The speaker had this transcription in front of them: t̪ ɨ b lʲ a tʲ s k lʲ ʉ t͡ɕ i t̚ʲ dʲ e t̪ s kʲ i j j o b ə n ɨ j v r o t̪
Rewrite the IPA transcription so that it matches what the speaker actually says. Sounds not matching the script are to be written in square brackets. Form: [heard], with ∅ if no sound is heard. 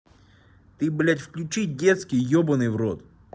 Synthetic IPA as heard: t̪ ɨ b lʲ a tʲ [f] k lʲ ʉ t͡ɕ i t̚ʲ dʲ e t̪ s kʲ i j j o b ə n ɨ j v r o t̪